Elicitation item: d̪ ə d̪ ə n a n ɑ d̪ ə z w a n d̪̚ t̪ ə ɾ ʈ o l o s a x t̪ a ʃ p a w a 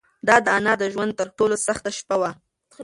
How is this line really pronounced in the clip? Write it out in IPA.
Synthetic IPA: d̪ ɑ d̪ ə a n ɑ d̪ ə ʒ w a n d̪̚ t̪ ə ɾ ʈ o l o s a x t̪ a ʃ p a w a

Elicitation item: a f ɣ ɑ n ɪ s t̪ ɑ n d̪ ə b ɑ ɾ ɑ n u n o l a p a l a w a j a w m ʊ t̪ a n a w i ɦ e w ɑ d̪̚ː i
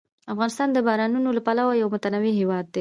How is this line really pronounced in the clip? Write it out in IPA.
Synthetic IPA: a f ɣ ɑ n ɪ s t̪ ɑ n d̪ ə b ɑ ɾ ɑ n u n o l a p a l a w a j a w m ʊ t̪ a n a w i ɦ e w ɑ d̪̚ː e

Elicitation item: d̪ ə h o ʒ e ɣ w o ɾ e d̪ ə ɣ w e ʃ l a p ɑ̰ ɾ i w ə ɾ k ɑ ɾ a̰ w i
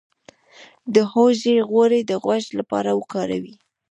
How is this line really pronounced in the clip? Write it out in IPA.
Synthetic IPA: d̪ ə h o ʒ e ɣ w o ɾ e d̪ ə ɣ w a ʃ l a p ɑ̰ ɾ a w ə k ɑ ɾ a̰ w i

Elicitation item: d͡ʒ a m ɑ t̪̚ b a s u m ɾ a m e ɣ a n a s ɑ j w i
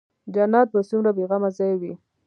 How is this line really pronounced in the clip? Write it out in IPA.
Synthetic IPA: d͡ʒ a n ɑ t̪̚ b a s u m ɾ a b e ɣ a m a z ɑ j w i

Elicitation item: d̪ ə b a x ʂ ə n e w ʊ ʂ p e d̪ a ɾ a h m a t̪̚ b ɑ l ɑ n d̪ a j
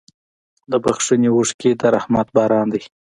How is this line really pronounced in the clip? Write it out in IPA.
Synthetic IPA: d̪ ə b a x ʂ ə n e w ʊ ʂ k e d̪ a ɾ a h m a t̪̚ b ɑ ɾ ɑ n d̪ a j

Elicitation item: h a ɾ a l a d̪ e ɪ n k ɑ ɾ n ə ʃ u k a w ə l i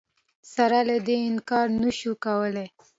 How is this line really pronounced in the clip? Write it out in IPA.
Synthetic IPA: s a ɾ a l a d̪ e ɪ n k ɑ ɾ n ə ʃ u k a w ə l e

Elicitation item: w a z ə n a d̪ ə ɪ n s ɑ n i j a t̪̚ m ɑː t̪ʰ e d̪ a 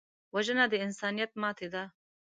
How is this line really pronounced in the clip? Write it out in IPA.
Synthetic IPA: w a ʒ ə n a d̪ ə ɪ n s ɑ n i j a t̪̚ m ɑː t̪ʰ e d̪ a

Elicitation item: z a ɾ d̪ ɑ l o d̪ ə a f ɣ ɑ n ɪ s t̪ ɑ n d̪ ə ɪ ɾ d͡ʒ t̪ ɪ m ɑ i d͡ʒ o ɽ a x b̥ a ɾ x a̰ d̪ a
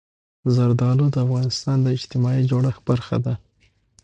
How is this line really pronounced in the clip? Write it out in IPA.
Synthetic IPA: z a ɾ d̪ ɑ l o d̪ ə a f ɣ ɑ n ɪ s t̪ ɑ n d̪ ə ɪ d͡ʒ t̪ ɪ m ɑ i d͡ʒ o ɽ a x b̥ a ɾ x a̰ d̪ a

